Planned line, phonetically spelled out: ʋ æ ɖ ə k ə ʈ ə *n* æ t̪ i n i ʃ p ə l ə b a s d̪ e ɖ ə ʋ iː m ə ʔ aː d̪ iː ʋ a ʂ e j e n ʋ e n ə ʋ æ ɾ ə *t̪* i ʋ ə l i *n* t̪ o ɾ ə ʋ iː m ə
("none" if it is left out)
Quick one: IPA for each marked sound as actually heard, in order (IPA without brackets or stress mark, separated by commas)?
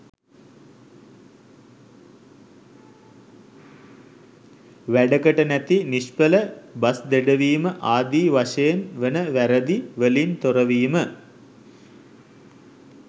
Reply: n, d̪, n